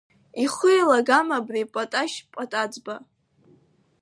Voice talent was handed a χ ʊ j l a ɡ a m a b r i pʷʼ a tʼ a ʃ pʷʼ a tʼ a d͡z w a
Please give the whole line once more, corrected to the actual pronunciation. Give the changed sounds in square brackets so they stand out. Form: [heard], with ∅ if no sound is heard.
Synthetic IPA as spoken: [i] χ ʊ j l a ɡ a m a b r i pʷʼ a tʼ a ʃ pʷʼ a tʼ a d͡z [b] a

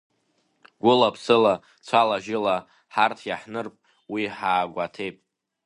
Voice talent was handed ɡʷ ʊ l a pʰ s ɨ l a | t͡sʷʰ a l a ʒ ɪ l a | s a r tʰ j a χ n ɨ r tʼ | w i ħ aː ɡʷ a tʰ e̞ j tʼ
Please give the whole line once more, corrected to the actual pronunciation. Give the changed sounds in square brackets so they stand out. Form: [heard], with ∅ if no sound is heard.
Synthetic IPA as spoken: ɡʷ ʊ l a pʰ s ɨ l a | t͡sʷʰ a l a ʒ ɪ l a | [ħ] a r tʰ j a [ħ] n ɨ r [pʼ] | w i ħ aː ɡʷ a tʰ e̞ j [pʼ]

